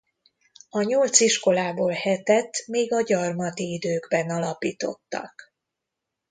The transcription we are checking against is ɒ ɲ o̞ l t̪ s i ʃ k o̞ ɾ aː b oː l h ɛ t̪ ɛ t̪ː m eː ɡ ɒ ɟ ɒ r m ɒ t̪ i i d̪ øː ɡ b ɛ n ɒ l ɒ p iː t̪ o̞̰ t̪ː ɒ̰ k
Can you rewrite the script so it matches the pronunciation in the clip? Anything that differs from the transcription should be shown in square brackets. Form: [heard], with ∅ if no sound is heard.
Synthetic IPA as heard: ɒ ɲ o̞ l t̪ s i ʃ k o̞ [l] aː b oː l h ɛ t̪ ɛ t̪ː m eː ɡ ɒ ɟ ɒ r m ɒ t̪ i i d̪ øː ɡ b ɛ n ɒ l ɒ p iː t̪ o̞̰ t̪ː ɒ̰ k